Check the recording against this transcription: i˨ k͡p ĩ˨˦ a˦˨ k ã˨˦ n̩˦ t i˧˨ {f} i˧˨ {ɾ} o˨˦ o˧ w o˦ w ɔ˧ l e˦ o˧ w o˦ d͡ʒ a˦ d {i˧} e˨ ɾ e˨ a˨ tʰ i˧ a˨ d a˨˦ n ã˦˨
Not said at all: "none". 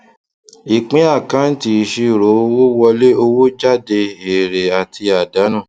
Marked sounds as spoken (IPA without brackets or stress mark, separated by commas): ʃ, ɾ, e˧